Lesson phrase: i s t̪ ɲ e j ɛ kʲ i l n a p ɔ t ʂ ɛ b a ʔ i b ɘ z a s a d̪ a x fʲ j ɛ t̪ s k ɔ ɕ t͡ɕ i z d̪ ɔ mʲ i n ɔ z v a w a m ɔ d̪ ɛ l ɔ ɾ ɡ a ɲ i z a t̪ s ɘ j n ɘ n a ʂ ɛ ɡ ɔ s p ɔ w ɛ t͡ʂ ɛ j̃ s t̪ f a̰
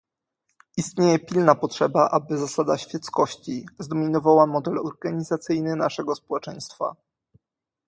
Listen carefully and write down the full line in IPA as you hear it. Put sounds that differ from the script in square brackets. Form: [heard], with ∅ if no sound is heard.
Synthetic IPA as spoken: i s t̪ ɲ e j ɛ [pʲ] i l n a p ɔ t ʂ ɛ b a ʔ [a] b ɘ z a s a d̪ a [ɕ] fʲ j ɛ t̪ s k ɔ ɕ t͡ɕ i z d̪ ɔ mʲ i n ɔ [∅] v a w a m ɔ d̪ ɛ l ɔ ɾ ɡ a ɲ i z a t̪ s ɘ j n ɘ n a ʂ ɛ ɡ ɔ s p ɔ w ɛ t͡ʂ ɛ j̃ s t̪ f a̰